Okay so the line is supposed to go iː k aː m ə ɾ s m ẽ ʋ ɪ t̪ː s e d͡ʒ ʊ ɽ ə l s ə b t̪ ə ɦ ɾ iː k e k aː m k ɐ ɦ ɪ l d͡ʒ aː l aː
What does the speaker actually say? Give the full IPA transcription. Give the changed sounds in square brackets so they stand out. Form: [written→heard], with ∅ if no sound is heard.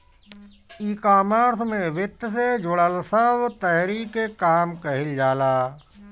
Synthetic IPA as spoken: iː k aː m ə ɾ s m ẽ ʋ ɪ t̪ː s e d͡ʒ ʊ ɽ ə l s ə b t̪ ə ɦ ɾ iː k e k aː m k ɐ ɦ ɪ l d͡ʒ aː l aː